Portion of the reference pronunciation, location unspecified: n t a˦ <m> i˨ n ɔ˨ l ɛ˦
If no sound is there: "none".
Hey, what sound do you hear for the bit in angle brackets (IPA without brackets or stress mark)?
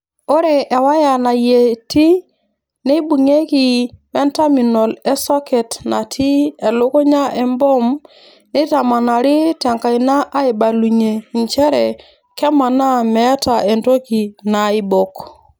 m